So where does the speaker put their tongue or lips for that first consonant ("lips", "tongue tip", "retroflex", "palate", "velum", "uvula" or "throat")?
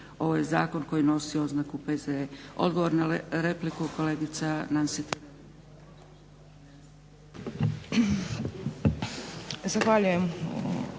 lips